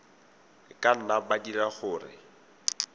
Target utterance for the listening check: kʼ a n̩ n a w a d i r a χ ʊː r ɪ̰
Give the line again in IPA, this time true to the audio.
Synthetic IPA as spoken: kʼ a n̩ n a b a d i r a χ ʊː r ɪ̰